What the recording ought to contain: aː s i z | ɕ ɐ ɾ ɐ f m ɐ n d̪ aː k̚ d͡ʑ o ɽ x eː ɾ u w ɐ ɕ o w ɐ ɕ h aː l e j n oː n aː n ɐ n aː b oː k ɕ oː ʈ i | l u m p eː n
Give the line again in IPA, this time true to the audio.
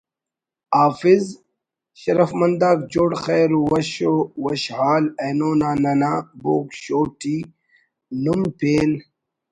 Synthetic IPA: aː f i z | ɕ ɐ ɾ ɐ f m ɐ n d̪ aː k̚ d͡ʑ o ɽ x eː ɾ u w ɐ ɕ o w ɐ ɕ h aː l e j n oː n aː n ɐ n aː b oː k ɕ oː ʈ i | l u m p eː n